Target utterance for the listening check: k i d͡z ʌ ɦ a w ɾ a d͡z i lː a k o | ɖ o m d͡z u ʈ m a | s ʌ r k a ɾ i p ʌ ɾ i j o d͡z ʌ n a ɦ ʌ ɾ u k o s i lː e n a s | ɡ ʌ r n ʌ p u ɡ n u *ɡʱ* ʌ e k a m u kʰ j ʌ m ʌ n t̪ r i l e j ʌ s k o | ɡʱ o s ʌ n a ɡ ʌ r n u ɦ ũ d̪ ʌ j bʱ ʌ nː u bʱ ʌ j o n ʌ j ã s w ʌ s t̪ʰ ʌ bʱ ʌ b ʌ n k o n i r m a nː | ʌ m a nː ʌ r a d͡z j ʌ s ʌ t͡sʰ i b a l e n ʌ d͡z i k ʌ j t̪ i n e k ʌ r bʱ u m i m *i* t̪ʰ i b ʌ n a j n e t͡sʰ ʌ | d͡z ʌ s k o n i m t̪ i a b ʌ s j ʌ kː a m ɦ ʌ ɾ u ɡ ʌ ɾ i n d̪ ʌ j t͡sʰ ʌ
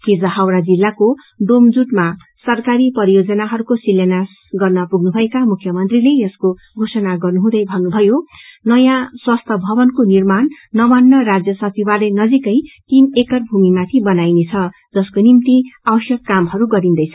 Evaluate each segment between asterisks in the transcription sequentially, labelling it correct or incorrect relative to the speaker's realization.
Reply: incorrect: bʱ, incorrect: a

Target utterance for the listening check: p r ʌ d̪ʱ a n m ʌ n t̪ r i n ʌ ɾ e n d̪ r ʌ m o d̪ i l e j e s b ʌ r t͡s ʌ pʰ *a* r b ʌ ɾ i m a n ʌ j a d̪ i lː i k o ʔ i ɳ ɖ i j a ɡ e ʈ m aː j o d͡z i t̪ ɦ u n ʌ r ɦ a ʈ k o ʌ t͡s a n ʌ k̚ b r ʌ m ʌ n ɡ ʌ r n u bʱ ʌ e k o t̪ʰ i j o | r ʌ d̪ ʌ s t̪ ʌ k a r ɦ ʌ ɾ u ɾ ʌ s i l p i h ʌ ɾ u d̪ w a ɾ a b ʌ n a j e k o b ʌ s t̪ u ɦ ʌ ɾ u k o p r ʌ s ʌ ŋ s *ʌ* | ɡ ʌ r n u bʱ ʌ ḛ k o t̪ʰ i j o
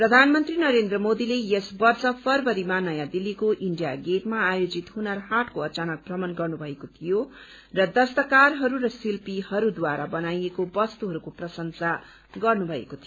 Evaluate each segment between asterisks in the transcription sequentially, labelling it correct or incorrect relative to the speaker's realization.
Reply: incorrect: ʌ, incorrect: a

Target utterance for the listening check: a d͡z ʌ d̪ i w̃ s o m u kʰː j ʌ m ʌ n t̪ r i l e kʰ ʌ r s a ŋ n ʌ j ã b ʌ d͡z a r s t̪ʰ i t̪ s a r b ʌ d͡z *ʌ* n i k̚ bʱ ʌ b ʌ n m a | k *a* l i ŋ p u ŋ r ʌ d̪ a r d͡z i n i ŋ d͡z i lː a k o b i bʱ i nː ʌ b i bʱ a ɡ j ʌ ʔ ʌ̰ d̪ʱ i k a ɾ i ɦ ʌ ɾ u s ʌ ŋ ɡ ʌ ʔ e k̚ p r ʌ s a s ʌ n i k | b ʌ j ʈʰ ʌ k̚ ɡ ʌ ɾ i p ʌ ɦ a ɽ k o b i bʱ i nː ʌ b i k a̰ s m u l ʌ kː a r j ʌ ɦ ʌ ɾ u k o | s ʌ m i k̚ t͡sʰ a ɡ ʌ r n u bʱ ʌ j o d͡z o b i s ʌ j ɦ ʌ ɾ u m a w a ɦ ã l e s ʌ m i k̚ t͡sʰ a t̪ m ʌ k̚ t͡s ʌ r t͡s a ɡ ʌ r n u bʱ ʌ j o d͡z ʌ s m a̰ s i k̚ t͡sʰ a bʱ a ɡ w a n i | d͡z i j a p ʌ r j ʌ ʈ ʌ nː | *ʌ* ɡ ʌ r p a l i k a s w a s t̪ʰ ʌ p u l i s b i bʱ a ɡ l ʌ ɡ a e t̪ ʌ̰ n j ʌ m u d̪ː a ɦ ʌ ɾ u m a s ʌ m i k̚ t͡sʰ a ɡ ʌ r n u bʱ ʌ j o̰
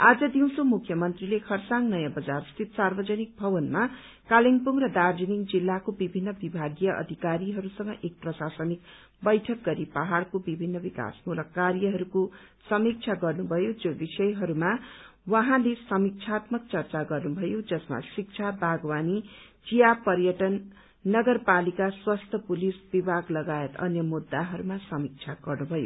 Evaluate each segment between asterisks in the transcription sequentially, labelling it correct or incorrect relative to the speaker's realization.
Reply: correct, correct, correct

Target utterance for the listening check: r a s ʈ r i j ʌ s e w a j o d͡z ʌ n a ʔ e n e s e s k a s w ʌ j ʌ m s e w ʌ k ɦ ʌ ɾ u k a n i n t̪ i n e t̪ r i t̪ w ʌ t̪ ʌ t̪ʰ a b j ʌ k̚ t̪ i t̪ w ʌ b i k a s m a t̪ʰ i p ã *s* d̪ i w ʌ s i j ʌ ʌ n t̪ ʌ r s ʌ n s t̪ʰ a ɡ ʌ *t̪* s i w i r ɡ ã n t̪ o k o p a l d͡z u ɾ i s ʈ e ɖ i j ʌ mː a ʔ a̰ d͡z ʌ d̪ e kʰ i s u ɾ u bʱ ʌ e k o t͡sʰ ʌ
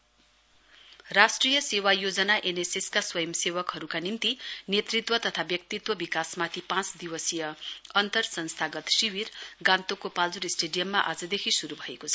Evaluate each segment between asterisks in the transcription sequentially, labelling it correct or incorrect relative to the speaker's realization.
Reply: incorrect: t͡s, correct

